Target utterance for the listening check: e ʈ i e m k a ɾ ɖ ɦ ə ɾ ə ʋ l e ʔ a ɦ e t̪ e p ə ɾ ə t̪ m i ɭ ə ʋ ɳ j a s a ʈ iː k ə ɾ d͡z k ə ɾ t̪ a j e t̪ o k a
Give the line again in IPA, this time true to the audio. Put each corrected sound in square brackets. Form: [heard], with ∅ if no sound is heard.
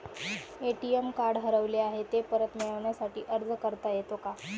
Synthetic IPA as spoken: e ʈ i e m k a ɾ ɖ ɦ ə ɾ ə ʋ l e [∅] a ɦ e t̪ e p ə ɾ ə t̪ m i ɭ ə ʋ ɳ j a s a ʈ iː [ʔ] ə ɾ d͡z k ə ɾ t̪ a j e t̪ o k a

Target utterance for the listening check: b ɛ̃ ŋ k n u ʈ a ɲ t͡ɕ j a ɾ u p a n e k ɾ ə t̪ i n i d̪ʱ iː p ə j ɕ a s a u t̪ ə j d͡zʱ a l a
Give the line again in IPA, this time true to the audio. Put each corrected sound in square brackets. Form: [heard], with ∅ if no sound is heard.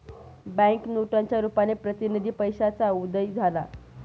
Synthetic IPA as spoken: b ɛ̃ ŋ k n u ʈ a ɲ t͡ɕ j a ɾ u p a n e [p] ɾ ə t̪ i n i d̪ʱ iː p ə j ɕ a [t͡s] a u [d̪] ə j d͡zʱ a l a

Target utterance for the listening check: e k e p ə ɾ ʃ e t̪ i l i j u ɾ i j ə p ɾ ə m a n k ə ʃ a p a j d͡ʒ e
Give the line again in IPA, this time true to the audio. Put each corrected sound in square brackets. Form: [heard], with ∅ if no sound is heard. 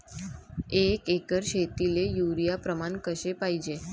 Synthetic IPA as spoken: e k e [k] ə ɾ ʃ e t̪ i l [e] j u ɾ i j [a] p ɾ ə m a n k ə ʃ [e] p a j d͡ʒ e

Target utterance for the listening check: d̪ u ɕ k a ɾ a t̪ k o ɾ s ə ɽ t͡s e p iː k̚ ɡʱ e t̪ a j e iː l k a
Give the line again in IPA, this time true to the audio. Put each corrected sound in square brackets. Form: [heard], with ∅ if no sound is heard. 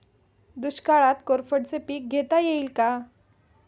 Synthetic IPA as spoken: d̪ u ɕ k a [ɭ] a t̪ k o ɾ [f] ə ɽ t͡s e p iː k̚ ɡʱ e t̪ a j e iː l k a

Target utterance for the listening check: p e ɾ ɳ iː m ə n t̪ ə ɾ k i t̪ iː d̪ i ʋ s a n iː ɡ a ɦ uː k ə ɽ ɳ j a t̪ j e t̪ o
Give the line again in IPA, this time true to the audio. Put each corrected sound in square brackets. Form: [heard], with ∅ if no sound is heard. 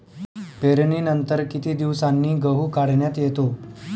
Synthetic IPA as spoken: p e ɾ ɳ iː [n] ə n t̪ ə ɾ k i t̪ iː d̪ i ʋ s a [nː] iː ɡ [ə] ɦ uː k [a] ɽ ɳ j a t̪ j e t̪ o

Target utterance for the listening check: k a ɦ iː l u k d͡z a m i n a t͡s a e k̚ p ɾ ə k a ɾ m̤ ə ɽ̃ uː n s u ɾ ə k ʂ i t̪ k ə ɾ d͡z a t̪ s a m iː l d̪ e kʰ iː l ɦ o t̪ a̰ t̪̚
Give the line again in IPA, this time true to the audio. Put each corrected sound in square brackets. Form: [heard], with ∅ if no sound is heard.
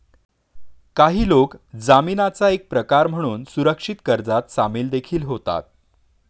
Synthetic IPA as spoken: k a ɦ iː l [o] k d͡z a m i n a t͡s a e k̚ p ɾ ə k a ɾ m̤ ə ɽ̃ uː n s u ɾ ə k ʂ i t̪ k ə ɾ d͡z a t̪ s a m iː l d̪ e kʰ iː l ɦ o t̪ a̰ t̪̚

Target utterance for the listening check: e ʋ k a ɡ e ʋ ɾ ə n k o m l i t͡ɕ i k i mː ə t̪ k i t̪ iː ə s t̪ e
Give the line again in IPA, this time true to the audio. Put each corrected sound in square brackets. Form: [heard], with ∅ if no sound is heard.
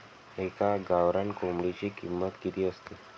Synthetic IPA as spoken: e [∅] k a ɡ [a] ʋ ɾ [a] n k o m [ɽ] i t͡ɕ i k i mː ə t̪ k i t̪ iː ə s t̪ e

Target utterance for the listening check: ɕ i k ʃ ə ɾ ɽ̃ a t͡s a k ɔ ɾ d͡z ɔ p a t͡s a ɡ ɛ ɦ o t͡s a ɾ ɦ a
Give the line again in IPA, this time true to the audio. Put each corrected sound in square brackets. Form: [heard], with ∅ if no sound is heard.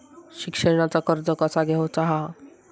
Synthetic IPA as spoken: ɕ i k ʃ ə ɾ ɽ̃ a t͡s a k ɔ ɾ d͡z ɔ [k] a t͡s a ɡ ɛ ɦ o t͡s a [∅] ɦ a

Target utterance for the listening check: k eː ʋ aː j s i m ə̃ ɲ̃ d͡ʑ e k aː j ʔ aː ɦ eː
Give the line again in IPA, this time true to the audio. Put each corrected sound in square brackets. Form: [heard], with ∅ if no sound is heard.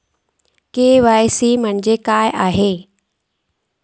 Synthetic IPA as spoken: k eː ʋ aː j s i m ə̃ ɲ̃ d͡ʑ e k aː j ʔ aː ɦ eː

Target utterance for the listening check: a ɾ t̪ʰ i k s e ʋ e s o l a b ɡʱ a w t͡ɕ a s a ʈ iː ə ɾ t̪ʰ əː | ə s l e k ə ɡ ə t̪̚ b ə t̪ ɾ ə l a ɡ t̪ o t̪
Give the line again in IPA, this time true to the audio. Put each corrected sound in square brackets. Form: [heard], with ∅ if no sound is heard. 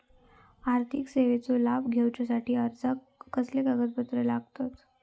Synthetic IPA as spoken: a ɾ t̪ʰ i k s e ʋ e [t͡s] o l a b ɡʱ [e] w t͡ɕ a s a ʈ iː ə ɾ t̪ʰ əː | ə s l e k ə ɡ ə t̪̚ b ə t̪ ɾ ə l a ɡ t̪ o t̪

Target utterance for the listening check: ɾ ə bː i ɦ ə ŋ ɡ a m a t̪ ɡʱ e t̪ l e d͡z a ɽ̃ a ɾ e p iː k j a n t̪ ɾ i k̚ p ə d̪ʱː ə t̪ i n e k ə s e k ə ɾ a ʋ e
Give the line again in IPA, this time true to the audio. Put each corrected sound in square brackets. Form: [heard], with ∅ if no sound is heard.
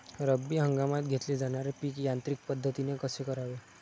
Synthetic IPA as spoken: ɾ ə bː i ɦ ə ŋ ɡ a m a t̪ ɡʱ e t̪ l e d͡z a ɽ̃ a ɾ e p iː k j a n t̪ ɾ i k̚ p ə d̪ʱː ə t̪ i n e k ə s e k ə ɾ a ʋ e

